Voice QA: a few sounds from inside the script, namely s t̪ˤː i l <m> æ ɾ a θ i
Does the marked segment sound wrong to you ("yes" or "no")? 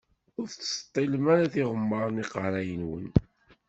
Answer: no